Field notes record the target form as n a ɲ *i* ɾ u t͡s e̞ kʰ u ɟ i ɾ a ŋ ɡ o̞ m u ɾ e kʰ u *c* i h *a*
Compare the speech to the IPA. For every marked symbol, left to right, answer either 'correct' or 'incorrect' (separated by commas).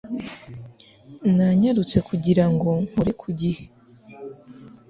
incorrect, incorrect, incorrect